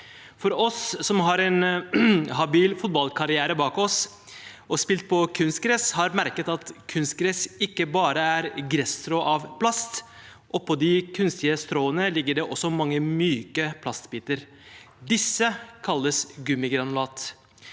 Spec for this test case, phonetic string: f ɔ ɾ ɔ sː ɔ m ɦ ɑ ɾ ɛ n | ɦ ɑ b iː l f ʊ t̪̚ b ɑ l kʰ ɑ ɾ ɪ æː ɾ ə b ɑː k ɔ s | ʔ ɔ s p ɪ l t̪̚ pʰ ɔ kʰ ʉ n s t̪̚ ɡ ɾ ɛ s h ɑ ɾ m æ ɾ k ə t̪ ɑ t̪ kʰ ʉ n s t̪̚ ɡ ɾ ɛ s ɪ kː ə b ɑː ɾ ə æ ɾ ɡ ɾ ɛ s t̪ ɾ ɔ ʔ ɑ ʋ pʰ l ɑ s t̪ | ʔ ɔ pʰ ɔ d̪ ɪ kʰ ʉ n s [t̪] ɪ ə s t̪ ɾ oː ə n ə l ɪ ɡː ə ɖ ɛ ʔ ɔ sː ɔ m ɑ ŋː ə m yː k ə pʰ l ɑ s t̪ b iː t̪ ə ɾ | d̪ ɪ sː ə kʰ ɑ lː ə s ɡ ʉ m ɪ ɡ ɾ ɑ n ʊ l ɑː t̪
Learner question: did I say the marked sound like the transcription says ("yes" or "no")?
yes